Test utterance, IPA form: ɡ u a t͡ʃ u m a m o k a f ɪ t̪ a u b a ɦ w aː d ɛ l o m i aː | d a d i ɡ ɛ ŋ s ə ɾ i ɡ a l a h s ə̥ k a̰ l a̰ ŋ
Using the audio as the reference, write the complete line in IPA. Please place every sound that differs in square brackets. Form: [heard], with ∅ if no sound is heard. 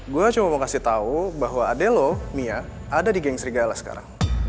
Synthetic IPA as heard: ɡ u a t͡ʃ u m a m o k a [s] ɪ t̪ a u b a ɦ w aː d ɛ l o m i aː | d a d i ɡ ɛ ŋ s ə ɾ i ɡ a l a h s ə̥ k a̰ [ɾ] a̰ ŋ